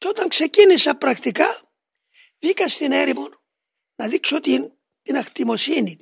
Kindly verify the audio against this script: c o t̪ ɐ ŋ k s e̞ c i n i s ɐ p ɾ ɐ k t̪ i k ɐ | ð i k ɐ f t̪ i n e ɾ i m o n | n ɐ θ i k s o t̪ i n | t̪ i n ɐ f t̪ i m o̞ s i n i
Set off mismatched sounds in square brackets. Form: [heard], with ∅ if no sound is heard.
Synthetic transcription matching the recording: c o t̪ ɐ ŋ k s e̞ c i n i s ɐ p ɾ ɐ k t̪ i k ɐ | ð i k ɐ [s] t̪ i n e ɾ i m o n | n ɐ [ð] i k s o t̪ i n | t̪ i n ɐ [x] t̪ i m o̞ s i n i